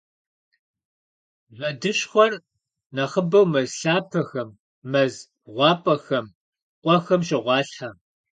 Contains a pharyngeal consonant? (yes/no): yes